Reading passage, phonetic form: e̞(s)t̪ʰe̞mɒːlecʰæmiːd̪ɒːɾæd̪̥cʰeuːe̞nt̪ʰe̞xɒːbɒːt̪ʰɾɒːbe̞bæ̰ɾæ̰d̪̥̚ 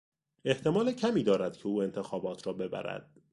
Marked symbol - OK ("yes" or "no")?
no